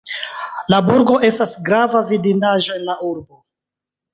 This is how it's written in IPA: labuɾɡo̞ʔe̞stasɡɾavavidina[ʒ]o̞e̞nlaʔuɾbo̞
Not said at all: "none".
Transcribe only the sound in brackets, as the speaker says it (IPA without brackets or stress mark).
ʒ